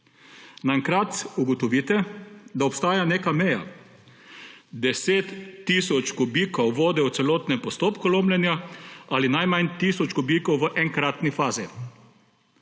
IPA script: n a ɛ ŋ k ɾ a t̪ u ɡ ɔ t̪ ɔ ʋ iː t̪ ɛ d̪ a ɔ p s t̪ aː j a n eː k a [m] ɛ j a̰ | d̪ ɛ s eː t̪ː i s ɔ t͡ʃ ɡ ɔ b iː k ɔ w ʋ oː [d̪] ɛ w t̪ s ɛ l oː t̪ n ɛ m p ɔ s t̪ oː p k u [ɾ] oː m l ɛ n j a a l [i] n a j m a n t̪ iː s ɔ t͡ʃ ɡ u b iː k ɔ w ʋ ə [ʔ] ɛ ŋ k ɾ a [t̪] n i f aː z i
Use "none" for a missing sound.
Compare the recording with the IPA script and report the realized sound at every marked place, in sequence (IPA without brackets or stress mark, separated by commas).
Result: m, d̪, l, i, ʔ, t̪